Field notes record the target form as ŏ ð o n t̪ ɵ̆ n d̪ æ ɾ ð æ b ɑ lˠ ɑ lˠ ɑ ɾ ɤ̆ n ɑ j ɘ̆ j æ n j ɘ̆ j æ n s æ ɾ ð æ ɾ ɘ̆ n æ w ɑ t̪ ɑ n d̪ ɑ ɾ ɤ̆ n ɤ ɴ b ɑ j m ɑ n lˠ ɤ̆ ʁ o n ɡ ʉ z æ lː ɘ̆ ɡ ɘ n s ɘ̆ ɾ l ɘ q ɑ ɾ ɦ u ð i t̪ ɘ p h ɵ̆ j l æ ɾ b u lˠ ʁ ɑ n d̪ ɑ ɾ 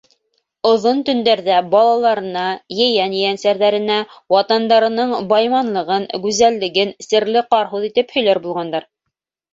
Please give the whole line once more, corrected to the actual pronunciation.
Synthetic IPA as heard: ŏ ð o n t̪ ɵ̆ n d̪ æ ɾ ð æ b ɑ lˠ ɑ lˠ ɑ ɾ ɤ̆ n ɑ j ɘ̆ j æ n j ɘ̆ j æ n s æ ɾ ð æ ɾ ɘ̆ n æ w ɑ t̪ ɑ n d̪ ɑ ɾ ɤ̆ n ɤ ɴ b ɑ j m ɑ n lˠ ɤ̆ ʁ ɤ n ɡ ʉ z æ lː ɘ̆ ɡ ɘ n s ɘ̆ ɾ l ɘ q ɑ ɾ ɦ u ð i t̪ ɘ p h ɵ̆ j l æ ɾ b u lˠ ʁ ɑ n d̪ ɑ ɾ